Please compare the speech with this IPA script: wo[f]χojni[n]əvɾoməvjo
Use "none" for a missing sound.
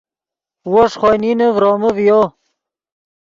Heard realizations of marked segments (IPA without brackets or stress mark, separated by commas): ʂ, n